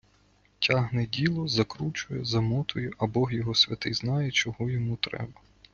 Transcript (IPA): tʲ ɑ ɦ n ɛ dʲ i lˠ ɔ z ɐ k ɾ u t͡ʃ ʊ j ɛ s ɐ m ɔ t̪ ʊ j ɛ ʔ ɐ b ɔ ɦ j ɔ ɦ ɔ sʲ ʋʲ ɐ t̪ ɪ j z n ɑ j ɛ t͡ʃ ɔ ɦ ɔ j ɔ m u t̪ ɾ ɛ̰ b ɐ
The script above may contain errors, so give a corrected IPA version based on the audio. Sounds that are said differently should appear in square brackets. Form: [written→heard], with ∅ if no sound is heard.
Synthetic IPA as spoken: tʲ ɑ ɦ n ɛ dʲ i lˠ ɔ z ɐ k ɾ u t͡ʃ ʊ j ɛ [s→z] ɐ m ɔ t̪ ʊ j ɛ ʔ ɐ b ɔ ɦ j ɔ ɦ ɔ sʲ ʋʲ ɐ t̪ ɪ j z n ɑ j ɛ t͡ʃ ɔ ɦ ɔ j ɔ m u t̪ ɾ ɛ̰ b ɐ